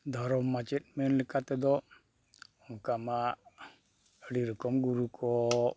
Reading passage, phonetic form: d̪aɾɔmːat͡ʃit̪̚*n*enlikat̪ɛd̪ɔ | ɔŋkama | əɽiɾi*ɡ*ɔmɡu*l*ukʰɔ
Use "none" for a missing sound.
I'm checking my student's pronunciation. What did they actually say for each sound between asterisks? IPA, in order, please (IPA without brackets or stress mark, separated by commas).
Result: m, k, ɾ